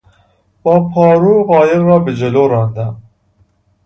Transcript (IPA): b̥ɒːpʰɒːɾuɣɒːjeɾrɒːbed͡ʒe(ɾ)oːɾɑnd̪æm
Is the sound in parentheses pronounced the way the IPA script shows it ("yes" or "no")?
no